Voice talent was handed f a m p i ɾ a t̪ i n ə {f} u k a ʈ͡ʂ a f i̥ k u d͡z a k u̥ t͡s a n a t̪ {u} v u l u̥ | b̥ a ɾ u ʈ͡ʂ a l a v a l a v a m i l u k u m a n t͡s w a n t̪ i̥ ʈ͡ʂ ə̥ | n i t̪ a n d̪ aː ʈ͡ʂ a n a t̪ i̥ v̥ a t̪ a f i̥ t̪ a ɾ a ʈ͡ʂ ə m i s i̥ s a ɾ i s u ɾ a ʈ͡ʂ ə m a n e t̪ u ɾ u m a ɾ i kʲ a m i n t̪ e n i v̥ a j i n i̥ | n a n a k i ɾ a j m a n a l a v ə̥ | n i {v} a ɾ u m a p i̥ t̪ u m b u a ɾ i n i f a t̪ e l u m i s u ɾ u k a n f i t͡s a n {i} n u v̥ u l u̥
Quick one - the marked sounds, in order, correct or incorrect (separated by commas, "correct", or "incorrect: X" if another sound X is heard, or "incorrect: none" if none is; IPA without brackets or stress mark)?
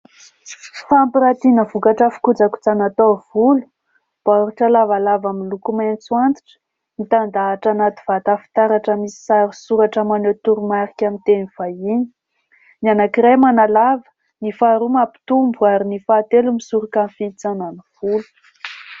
incorrect: v, incorrect: o, incorrect: f, incorrect: a